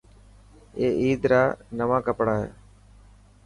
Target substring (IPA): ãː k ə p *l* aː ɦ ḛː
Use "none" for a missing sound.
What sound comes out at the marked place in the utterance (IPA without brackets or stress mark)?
ɽ